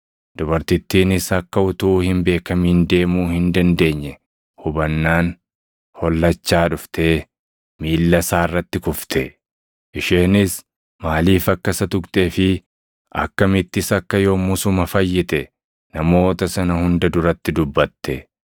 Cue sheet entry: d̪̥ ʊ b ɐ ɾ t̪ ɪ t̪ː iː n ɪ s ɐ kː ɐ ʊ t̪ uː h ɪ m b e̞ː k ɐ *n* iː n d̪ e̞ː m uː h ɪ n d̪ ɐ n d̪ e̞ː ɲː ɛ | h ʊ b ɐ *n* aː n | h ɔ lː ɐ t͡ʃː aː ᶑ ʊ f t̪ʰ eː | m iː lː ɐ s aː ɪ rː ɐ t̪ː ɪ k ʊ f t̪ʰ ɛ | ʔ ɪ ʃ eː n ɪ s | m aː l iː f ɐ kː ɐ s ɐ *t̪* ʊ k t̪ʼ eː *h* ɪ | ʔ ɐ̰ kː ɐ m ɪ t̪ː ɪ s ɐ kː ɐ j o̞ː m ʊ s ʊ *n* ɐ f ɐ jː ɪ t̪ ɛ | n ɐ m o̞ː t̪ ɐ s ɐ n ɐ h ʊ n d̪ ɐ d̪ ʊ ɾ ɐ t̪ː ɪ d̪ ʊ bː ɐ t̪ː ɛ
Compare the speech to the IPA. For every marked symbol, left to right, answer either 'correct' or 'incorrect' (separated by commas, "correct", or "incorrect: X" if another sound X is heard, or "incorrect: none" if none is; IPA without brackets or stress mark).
incorrect: m, incorrect: nː, correct, incorrect: f, incorrect: m